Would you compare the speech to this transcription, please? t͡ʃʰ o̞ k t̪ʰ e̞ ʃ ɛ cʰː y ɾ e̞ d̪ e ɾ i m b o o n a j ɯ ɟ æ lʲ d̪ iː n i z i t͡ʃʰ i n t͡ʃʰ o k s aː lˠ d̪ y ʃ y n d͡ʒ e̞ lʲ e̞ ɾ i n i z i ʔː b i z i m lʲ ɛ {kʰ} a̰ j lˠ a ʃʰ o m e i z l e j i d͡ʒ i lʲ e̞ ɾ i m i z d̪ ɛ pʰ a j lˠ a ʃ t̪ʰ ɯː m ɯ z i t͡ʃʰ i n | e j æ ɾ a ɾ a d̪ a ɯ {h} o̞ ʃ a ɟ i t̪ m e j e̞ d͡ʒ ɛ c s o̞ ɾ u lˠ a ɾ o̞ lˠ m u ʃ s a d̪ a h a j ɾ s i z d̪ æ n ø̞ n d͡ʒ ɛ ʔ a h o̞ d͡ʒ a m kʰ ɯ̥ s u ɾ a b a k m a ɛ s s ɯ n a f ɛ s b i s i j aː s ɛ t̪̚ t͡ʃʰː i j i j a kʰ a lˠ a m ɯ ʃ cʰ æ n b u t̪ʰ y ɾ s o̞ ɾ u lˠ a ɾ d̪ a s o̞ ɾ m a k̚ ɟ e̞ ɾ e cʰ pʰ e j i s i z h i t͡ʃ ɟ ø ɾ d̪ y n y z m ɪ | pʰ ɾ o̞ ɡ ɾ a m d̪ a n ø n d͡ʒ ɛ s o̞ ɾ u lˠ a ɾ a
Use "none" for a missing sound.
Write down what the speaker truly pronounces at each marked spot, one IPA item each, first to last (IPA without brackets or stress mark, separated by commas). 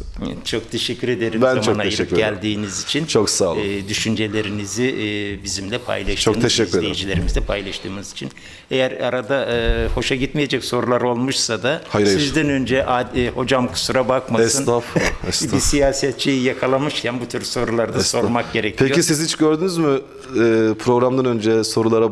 pʰ, h